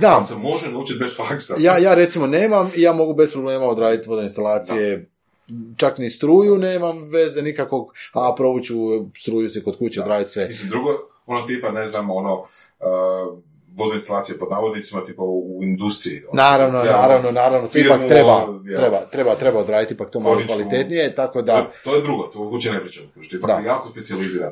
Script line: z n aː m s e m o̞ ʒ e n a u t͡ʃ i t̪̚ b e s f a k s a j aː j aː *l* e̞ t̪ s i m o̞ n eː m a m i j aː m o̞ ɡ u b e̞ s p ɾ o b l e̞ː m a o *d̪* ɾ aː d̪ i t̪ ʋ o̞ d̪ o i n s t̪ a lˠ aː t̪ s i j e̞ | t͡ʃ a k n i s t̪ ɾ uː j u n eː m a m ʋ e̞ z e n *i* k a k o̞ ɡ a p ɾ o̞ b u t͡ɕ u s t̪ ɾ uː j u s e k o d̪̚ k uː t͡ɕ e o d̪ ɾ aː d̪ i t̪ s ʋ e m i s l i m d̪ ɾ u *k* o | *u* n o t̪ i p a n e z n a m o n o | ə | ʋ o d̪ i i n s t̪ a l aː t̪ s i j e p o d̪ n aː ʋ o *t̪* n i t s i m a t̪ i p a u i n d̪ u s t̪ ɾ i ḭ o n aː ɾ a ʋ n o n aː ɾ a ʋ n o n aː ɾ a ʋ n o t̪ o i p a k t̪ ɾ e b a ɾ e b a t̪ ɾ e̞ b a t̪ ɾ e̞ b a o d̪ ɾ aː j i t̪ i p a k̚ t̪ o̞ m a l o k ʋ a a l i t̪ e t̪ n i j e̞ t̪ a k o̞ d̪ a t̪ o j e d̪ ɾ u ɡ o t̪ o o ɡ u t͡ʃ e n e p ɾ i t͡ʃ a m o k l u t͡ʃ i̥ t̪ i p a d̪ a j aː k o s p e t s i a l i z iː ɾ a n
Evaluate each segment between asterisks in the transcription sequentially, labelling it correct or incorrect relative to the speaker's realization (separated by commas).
incorrect, correct, correct, incorrect, incorrect, incorrect